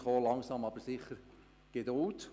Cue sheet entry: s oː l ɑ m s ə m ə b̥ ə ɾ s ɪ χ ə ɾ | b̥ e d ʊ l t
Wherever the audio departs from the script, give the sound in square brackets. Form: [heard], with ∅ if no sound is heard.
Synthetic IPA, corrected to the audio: [χ] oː l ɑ [ŋ] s [ɑ] m [ɑ] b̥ ə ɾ s ɪ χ ə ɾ | [ɡ̥] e d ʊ l t